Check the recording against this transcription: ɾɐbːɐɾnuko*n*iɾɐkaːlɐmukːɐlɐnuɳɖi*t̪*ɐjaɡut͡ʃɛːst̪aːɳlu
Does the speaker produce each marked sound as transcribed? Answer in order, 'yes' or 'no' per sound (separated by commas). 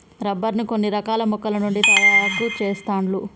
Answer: no, yes